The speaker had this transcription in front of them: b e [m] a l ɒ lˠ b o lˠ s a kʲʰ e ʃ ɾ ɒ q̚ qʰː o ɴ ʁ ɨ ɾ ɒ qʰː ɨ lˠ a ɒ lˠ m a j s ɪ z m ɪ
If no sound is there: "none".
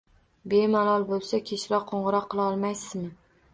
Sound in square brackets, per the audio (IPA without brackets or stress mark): m